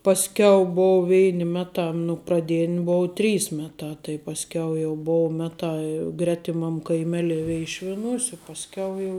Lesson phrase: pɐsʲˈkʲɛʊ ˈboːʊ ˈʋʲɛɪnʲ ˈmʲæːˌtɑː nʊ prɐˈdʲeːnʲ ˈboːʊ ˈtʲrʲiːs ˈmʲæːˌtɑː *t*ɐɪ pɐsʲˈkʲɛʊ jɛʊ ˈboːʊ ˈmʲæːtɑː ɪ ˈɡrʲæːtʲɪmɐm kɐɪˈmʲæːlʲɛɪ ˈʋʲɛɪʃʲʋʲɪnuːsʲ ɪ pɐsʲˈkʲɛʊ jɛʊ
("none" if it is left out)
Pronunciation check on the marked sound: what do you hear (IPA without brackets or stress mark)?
t